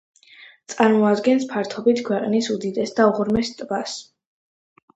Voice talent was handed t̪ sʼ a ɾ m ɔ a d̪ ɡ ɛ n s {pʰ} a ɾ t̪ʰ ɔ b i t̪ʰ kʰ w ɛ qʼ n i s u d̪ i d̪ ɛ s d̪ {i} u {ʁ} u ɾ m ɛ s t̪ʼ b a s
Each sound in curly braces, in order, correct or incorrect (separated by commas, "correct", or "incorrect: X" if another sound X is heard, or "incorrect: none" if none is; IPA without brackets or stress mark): correct, incorrect: a, correct